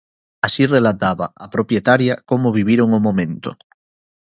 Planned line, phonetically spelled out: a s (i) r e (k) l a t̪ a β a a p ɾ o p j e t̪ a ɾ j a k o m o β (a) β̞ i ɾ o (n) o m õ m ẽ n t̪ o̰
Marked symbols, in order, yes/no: yes, no, no, no

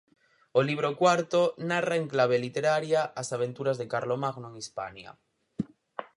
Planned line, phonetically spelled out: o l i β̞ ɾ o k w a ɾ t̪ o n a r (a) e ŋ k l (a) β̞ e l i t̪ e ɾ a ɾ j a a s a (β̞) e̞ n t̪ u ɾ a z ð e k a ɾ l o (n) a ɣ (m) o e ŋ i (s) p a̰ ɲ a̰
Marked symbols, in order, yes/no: yes, yes, yes, no, no, yes

